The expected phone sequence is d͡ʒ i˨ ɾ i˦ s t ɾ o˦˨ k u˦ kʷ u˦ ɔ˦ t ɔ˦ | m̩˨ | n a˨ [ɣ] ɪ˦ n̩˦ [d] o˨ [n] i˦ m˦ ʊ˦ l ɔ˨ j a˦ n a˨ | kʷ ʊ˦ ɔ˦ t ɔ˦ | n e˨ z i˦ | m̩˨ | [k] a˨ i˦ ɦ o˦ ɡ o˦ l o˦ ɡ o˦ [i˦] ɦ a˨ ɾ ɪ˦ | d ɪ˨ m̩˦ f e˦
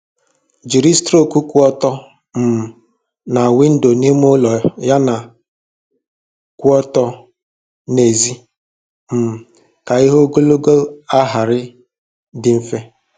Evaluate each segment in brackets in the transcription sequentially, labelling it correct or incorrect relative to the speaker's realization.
incorrect: w, correct, correct, correct, incorrect: a˦

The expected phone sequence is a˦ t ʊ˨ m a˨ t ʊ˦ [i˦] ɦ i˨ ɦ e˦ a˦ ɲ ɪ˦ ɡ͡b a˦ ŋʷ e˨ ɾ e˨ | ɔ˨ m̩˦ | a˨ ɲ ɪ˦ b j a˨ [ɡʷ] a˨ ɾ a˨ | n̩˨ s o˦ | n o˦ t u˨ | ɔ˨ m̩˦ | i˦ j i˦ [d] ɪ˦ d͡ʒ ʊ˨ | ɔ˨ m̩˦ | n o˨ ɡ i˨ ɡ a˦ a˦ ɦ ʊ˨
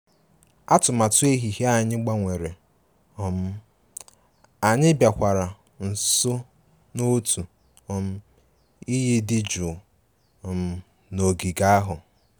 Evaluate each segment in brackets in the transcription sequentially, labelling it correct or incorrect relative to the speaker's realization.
incorrect: e˦, incorrect: kʷ, correct

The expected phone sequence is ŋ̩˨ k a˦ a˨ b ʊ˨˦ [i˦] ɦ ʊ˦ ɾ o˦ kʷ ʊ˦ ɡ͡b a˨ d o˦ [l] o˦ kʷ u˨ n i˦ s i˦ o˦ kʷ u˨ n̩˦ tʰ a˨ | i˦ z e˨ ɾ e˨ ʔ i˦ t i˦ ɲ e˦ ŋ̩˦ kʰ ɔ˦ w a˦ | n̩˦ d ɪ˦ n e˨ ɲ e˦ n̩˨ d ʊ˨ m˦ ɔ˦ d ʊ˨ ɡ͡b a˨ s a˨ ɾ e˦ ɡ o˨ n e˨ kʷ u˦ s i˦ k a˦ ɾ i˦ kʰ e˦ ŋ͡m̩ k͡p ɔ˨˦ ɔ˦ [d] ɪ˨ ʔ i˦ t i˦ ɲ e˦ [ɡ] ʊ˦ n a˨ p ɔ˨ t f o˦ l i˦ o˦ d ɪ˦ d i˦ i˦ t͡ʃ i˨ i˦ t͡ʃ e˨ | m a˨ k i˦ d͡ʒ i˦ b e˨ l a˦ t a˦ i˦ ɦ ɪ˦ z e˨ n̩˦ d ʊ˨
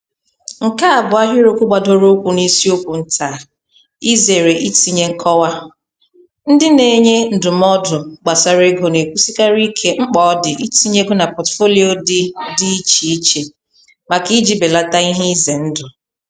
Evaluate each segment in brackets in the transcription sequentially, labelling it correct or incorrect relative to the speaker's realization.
incorrect: a˦, incorrect: ɾ, correct, correct

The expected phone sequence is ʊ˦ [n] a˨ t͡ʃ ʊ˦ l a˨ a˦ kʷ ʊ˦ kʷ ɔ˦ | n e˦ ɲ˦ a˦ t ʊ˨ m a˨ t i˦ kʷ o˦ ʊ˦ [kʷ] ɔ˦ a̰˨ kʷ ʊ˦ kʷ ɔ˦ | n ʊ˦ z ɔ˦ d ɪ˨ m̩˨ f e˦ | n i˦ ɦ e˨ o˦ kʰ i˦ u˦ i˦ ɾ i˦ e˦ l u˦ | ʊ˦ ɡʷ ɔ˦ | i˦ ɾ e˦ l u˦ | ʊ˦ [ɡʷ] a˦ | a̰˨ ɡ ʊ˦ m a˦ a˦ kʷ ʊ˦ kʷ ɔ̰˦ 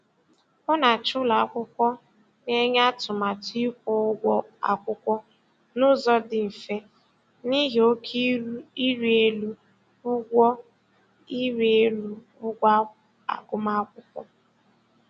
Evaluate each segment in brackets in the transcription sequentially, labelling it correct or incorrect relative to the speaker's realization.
correct, incorrect: ɡʷ, correct

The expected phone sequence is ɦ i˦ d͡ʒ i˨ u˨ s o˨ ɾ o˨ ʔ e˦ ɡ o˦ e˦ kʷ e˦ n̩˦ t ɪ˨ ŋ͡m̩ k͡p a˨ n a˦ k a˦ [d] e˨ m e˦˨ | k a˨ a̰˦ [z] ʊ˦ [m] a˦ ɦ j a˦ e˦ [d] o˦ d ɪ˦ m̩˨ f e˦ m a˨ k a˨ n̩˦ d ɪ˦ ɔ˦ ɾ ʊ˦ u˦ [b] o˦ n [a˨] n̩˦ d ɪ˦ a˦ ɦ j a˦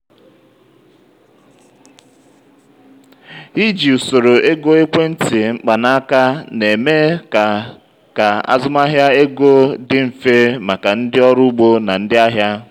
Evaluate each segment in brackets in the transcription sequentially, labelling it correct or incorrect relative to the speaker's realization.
incorrect: n, correct, correct, incorrect: ɡ, incorrect: ɡ͡b, correct

